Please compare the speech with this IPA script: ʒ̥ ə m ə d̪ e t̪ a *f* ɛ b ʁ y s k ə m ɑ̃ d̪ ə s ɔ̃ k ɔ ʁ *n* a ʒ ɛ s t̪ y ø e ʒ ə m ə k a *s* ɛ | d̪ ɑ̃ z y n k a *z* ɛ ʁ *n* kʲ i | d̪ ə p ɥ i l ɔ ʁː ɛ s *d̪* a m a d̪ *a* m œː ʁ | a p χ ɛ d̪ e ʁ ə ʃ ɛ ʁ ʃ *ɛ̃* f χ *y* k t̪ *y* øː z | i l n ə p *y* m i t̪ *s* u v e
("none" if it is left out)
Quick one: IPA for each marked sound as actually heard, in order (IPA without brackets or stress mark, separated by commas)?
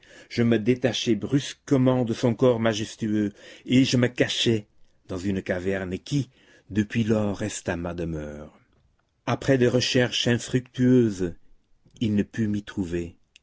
ʃ, m, ʃ, v, n, t̪, ə, ɛ̃, y, y, y, χ